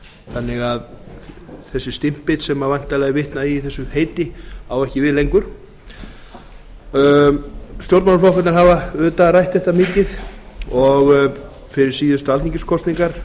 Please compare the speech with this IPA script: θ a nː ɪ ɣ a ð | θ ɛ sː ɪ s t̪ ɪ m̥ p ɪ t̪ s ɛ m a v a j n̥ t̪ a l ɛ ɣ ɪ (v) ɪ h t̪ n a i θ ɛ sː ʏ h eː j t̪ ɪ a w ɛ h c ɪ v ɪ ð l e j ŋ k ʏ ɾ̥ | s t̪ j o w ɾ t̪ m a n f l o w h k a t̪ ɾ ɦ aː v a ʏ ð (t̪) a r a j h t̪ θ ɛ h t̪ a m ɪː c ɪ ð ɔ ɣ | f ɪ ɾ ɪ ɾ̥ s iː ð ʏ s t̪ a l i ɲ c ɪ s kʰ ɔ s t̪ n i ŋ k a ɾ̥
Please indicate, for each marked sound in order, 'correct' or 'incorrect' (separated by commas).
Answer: correct, correct